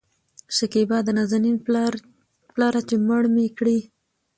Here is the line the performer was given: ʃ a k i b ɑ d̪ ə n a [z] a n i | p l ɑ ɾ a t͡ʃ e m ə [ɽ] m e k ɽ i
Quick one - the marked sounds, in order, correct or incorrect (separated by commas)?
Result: correct, correct